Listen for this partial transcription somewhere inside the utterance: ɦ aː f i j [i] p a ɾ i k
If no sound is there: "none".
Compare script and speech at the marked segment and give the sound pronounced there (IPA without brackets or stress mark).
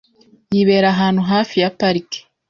a